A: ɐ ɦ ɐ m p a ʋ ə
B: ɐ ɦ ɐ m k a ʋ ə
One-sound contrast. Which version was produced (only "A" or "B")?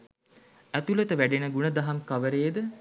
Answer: B